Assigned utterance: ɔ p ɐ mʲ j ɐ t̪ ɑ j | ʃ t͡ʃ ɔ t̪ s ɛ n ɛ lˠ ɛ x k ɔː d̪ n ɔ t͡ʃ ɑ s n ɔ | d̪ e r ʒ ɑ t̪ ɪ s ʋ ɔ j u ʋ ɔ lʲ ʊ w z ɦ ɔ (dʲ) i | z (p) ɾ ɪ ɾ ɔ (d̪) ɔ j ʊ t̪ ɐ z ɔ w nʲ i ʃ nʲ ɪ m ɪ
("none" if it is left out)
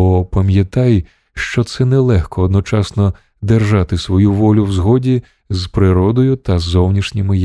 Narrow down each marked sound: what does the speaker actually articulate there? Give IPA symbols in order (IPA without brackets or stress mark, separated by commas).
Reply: dʲ, p, d̪